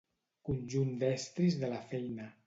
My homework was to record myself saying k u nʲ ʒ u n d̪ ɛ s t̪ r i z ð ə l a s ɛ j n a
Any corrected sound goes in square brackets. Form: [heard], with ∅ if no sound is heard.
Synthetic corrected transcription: k u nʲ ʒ u n d̪ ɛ s t̪ [ɾ] i z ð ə l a [f] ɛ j n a